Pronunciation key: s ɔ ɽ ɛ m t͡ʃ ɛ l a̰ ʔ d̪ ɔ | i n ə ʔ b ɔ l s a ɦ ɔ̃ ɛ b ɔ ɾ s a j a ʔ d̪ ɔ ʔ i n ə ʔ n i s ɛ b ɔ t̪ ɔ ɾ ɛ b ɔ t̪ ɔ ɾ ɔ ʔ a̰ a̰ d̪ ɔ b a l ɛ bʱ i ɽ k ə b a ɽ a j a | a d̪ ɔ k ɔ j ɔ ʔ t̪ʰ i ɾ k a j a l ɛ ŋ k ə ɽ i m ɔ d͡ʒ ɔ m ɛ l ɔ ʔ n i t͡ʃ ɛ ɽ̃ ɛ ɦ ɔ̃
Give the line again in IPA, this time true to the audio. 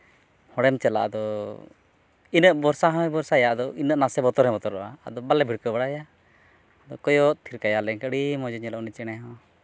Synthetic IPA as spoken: h ɔ ɽ ɛ m t͡ʃ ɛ l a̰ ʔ d̪ ɔ | i n ə ʔ b ɔ ɾ s a ɦ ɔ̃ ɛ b ɔ ɾ s a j a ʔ d̪ ɔ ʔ i n ə ʔ n a s ɛ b ɔ t̪ ɔ ɾ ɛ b ɔ t̪ ɔ ɾ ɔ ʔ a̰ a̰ d̪ ɔ b a l ɛ bʱ i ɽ k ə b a ɽ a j a | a d̪ ɔ k ɔ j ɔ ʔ t̪ʰ i ɾ k a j a l ɛ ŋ k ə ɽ i m ɔ d͡ʒ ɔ ɲ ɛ l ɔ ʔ n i t͡ʃ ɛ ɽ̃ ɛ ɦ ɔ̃